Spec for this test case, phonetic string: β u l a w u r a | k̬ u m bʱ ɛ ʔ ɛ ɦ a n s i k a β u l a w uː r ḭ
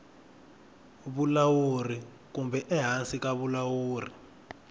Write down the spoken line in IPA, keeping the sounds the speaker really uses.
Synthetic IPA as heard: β u l a w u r i | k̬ u m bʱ ɛ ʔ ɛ ɦ a n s i k a β u l a w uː r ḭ